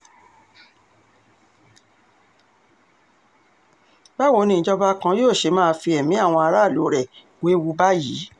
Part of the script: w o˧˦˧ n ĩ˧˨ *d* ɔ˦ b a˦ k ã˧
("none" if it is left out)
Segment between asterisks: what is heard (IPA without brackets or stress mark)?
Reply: d͡ʒ